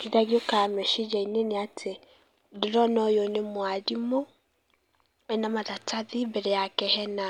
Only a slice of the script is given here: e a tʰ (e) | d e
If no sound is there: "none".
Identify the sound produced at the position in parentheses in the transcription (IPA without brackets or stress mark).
e